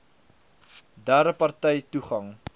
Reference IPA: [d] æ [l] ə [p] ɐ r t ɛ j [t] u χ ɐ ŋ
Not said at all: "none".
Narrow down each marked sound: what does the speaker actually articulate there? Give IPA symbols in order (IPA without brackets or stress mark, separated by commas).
d, ɾ, p, t